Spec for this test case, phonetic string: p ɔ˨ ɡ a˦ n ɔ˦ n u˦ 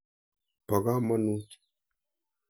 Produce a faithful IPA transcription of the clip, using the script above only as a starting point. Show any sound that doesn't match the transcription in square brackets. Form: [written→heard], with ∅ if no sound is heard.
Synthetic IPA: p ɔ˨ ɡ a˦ [n→m] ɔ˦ n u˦